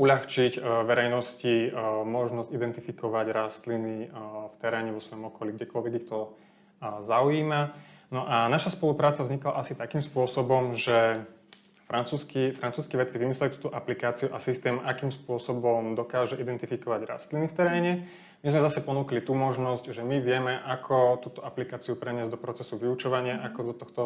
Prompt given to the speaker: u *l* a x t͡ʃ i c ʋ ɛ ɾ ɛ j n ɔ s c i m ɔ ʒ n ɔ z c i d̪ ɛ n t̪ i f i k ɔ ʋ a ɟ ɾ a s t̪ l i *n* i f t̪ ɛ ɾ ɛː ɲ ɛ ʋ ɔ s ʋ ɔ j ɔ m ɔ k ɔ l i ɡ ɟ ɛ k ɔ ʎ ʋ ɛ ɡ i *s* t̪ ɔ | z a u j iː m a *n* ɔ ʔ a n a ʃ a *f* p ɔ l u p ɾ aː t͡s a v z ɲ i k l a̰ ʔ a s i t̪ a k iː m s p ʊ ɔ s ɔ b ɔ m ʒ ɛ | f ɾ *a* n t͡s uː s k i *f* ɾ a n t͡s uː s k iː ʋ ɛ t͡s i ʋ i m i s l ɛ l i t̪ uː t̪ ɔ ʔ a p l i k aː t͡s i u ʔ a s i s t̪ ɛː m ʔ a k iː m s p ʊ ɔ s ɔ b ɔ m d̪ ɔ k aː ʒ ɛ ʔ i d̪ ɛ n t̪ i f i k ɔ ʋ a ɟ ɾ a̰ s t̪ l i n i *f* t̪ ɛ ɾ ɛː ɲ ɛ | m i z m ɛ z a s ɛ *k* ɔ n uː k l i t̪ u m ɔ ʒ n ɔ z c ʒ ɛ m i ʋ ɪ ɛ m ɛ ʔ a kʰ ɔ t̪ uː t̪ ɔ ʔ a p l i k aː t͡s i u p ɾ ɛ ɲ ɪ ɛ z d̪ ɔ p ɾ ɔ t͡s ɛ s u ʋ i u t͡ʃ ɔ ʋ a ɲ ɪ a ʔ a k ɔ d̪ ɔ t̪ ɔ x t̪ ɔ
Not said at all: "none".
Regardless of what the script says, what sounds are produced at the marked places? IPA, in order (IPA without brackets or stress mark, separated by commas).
ʎ, n, x, n, s, a, f, f, p